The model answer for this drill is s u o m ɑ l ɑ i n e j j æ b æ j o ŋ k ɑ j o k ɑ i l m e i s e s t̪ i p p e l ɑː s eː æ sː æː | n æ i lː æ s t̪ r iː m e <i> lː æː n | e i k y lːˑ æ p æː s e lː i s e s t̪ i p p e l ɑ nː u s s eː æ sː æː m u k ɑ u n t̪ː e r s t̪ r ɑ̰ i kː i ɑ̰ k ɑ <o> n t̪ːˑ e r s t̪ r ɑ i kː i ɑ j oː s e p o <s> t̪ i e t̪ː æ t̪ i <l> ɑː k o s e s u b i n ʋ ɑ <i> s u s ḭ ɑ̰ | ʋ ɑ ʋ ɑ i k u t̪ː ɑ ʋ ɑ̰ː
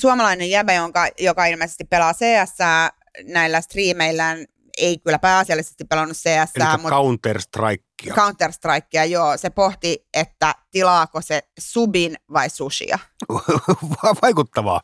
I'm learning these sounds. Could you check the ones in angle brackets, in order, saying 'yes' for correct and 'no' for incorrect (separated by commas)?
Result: yes, no, no, yes, yes